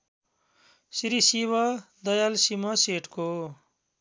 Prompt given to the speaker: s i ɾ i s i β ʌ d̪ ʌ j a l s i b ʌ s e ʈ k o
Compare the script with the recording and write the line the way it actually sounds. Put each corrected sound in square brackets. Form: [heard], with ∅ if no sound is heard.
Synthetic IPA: s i ɾ i s i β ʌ d̪ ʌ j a l s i [m] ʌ s e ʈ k o